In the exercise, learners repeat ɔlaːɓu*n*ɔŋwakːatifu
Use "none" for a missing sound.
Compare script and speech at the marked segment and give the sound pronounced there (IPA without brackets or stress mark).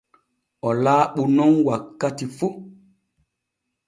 n